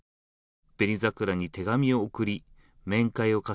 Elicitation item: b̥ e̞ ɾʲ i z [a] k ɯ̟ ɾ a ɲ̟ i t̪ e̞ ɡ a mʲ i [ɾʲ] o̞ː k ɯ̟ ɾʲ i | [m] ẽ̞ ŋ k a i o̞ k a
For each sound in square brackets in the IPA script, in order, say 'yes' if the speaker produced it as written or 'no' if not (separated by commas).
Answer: yes, no, yes